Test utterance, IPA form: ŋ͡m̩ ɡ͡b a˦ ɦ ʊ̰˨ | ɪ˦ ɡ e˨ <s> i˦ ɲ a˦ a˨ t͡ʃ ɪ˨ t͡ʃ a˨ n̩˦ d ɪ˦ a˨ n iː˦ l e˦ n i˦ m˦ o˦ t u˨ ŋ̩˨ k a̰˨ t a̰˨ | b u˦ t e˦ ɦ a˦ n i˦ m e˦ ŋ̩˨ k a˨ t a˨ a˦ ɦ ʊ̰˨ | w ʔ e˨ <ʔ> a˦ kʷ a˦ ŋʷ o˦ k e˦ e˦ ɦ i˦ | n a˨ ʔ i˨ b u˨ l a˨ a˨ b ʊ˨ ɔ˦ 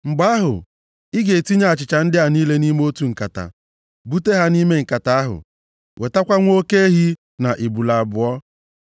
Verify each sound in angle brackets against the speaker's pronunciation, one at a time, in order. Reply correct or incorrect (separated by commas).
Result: incorrect, incorrect